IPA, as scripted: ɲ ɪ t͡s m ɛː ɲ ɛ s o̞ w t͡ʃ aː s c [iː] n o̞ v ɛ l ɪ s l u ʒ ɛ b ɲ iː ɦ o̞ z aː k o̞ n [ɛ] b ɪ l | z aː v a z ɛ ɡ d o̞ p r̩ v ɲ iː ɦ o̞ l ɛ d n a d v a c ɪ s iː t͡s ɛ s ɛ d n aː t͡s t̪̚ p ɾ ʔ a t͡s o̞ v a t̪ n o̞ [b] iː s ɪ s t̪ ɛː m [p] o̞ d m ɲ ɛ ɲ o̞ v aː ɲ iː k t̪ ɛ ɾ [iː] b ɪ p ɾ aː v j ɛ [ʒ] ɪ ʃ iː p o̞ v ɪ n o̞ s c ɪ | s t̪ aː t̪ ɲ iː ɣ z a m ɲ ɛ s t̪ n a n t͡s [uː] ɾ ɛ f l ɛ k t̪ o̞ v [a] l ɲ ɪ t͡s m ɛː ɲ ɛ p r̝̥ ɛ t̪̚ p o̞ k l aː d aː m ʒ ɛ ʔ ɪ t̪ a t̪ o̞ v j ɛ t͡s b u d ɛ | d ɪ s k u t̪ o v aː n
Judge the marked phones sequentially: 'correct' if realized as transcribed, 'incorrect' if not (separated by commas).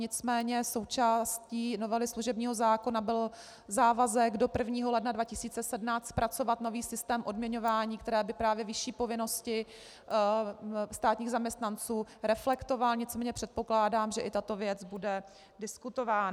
correct, incorrect, incorrect, incorrect, incorrect, incorrect, correct, correct